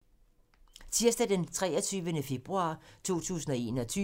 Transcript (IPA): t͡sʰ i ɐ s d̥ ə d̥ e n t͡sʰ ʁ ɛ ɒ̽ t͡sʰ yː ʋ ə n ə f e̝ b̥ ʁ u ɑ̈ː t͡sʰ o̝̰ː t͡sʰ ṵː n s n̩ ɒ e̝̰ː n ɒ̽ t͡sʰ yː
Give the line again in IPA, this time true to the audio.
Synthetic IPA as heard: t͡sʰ i ɐ s d̥ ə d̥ e n t͡sʰ ʁ ɛ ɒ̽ t͡sʰ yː ʋ ə n ə f e̝ b̥ ʁ u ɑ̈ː t͡sʰ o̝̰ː t͡sʰ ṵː s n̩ ɒ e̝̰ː n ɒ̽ t͡sʰ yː